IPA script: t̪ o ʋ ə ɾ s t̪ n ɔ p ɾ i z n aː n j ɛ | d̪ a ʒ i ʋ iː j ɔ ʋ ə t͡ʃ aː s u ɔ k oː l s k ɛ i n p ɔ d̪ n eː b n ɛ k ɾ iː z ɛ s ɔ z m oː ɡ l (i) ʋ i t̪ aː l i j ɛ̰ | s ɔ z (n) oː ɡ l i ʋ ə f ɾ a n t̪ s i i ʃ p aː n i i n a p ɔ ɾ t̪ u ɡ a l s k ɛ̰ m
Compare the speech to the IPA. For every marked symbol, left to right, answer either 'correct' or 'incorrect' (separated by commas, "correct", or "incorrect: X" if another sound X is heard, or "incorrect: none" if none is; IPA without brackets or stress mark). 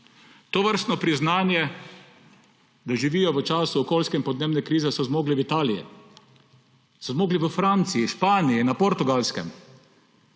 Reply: correct, incorrect: m